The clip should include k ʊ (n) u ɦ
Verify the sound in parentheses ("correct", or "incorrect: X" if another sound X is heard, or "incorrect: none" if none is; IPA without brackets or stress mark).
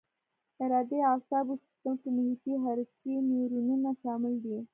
incorrect: m